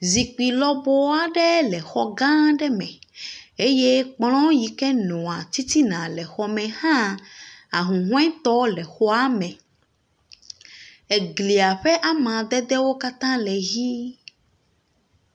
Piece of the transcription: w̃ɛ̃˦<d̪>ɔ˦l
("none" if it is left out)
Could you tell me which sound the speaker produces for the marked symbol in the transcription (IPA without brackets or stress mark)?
t̪